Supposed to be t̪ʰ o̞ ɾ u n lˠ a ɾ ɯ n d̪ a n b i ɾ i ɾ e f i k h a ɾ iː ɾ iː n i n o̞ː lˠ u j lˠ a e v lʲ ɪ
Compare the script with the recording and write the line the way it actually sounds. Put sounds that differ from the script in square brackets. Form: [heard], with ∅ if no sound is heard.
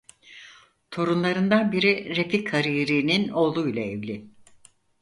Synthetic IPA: t̪ʰ o̞ ɾ u n lˠ a ɾ ɯ n d̪ a n b i ɾ i ɾ e f i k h a ɾ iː ɾ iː n i n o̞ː lˠ u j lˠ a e v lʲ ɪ